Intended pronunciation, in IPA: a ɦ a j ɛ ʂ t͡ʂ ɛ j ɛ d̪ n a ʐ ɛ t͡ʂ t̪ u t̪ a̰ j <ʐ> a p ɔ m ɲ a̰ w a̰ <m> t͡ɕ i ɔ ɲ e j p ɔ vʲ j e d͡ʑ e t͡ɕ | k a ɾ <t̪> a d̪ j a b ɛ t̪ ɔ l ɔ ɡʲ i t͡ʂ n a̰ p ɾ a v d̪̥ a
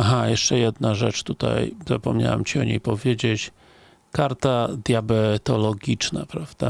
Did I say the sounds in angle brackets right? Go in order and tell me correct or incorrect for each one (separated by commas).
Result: incorrect, correct, correct